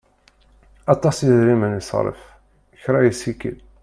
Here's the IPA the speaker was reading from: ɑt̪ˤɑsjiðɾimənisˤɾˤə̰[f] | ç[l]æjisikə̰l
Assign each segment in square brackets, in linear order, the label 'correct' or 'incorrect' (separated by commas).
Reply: correct, incorrect